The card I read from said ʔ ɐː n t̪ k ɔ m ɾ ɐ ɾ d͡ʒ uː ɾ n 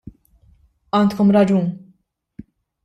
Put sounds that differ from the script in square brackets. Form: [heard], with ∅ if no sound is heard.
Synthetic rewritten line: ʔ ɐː n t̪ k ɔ m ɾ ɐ [∅] d͡ʒ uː [∅] n